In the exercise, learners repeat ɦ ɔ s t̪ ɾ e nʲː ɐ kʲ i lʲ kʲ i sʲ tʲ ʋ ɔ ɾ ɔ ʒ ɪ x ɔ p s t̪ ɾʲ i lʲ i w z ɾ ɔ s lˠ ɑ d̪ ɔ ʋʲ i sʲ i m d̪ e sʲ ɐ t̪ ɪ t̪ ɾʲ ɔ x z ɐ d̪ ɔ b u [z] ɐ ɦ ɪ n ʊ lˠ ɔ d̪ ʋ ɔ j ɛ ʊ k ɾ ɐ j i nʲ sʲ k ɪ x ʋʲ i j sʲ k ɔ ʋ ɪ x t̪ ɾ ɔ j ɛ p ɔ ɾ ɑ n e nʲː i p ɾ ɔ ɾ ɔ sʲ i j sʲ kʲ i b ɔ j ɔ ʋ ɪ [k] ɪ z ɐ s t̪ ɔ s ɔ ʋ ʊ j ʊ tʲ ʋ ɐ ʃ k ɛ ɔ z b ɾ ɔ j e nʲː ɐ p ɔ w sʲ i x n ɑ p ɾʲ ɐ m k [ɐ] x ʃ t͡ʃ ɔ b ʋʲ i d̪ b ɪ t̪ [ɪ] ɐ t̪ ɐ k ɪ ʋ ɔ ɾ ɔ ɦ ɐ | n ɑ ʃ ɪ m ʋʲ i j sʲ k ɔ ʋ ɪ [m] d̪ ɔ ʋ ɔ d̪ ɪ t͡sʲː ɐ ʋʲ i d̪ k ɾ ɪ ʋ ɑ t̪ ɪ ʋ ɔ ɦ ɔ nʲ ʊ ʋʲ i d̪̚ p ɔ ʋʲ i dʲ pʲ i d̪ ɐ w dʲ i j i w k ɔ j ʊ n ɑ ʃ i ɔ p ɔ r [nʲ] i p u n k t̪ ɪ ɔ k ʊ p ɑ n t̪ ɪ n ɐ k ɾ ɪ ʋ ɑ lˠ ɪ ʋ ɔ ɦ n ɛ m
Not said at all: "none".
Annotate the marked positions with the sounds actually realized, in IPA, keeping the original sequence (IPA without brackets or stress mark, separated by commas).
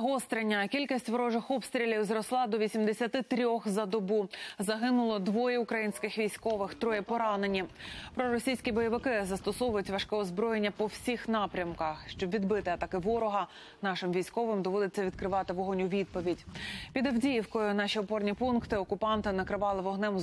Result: z, k, ɐ, ɪ, m, nʲ